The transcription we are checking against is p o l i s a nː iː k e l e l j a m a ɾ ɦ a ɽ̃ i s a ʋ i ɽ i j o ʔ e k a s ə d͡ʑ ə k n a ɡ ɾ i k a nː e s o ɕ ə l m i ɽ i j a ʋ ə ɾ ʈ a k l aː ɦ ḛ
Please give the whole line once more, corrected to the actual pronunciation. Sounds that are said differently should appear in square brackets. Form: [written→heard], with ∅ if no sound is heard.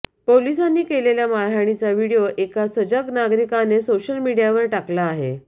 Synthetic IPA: p o l i s a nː iː k e l e l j a m a ɾ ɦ a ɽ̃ i [s→t͡s] a ʋ i ɽ i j o ʔ e k a s ə d͡ʑ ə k n a ɡ ɾ i k a [nː→n] e s o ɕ ə l m i ɽ i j a ʋ ə ɾ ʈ a k l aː ɦ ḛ